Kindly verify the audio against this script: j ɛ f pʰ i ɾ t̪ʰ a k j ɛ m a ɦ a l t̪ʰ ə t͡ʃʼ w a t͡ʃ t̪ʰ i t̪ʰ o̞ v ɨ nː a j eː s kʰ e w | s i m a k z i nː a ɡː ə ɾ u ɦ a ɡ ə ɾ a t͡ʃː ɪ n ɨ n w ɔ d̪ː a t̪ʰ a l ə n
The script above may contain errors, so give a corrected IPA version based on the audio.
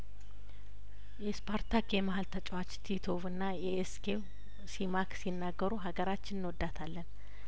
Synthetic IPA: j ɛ s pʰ a ɾ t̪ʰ a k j ɛ m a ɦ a l t̪ʰ ə t͡ʃʼ w a t͡ʃ t̪ʰ i t̪ʰ o̞ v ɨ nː a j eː s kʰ e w | s i m a k s i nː a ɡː ə ɾ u ɦ a ɡ ə ɾ a t͡ʃː ɪ n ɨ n w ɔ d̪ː a t̪ʰ a lː ə n

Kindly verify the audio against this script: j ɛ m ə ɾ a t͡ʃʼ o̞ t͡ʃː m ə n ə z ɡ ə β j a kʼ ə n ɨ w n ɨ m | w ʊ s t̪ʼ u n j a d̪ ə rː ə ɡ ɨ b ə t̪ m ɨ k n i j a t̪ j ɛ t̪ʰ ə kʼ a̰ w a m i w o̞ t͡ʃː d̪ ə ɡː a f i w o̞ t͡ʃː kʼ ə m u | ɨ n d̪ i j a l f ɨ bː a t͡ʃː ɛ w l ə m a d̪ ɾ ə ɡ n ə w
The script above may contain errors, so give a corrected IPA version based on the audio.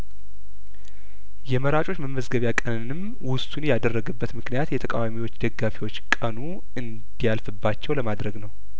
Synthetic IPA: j ɛ m ə ɾ a t͡ʃʼ o̞ t͡ʃː m ə m ə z ɡ ə β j a kʼ ə n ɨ n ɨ m | w ʊ s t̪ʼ u n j a d̪ ə rː ə ɡ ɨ bː ə t̪ m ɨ k n i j a t̪ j ɛ t̪ʰ ə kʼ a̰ w a m i w o̞ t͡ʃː d̪ ə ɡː a f i w o̞ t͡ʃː kʼ ə n u | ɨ n d̪ i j a l f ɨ bː a t͡ʃː ɛ w l ə m a d̪ ɾ ə ɡ n ə w

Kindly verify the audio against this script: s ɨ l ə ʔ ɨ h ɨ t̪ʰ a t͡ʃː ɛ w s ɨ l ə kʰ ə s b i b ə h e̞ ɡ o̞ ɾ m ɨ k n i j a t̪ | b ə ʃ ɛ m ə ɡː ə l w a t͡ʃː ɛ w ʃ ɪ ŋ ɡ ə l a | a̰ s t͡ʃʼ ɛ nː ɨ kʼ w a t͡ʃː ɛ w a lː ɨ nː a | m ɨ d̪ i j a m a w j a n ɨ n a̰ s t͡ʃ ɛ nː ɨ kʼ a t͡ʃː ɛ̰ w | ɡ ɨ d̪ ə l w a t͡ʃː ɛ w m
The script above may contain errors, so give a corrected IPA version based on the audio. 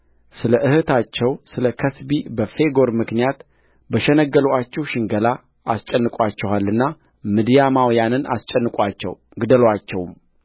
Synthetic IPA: s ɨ l ə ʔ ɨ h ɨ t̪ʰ a t͡ʃː ɛ w s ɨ l ə kʰ ə s b i b ə f e̞ ɡ o̞ ɾ m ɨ k n i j a t̪ | b ə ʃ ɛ n ə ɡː ə l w a t͡ʃː ɛ w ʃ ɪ ŋ ɡ ə l a | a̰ s t͡ʃʼ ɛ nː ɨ kʼ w a t͡ʃː ɛ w a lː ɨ nː a | m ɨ d̪ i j a m a w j a n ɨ n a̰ s t͡ʃʼ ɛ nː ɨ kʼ a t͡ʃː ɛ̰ w | ɡ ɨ d̪ ə l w a t͡ʃː ɛ w m

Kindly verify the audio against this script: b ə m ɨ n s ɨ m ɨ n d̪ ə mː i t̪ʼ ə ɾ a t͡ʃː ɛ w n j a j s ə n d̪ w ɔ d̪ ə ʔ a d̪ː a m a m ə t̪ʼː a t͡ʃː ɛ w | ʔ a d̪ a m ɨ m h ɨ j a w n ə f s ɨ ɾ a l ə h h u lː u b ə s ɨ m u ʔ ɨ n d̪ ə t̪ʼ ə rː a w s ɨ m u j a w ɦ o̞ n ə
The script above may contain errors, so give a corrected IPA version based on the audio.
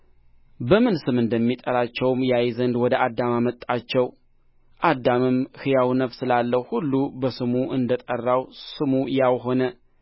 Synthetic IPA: b ə m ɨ n s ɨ m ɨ n d̪ ə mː i t̪ʼ ə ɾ a t͡ʃː ɛ w m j a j z ə n d̪ w ɔ d̪ ə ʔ a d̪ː a m a m ə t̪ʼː a t͡ʃː ɛ w | ʔ a d̪ a m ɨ m h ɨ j a w n ə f s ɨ l a lː ə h h u lː u b ə s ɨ m u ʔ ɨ n d̪ ə t̪ʼ ə rː a w s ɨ m u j a w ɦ o̞ n ə

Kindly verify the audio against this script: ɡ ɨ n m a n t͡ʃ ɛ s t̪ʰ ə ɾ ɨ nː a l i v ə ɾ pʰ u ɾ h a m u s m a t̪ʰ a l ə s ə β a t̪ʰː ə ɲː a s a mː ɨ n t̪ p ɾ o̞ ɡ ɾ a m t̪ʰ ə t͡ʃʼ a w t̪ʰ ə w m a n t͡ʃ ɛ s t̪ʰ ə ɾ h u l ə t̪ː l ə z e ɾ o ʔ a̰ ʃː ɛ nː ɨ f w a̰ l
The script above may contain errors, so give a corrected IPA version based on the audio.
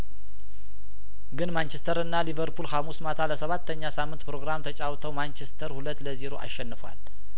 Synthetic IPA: ɡ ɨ n m a n t͡ʃ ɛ s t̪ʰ ə ɾ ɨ nː a l i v ə ɾ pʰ u l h a m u s m a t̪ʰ a l ə s ə β a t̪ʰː ə ɲː a s a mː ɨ n t̪ p ɾ o̞ ɡ ɾ a m t̪ʰ ə t͡ʃʼ a w t̪ʰ ə w m a n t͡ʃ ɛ s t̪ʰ ə ɾ h u l ə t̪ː l ə z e ɾ o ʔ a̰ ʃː ɛ nː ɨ f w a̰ l

